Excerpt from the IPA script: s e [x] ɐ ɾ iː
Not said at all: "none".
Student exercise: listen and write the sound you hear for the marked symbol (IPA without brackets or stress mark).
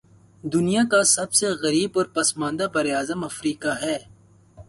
ɣ